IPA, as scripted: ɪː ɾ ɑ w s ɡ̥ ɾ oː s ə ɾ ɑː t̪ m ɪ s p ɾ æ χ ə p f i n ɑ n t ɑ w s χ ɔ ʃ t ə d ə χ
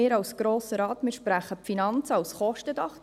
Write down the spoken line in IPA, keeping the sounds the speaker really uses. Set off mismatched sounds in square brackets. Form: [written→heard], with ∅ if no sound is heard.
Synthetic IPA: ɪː ɾ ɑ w s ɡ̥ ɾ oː s ə ɾ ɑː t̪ m ɪ [s→ʃ] p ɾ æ χ ə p f i n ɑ n [t→t͡s] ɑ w s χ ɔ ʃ t ə d [ə→ɑ] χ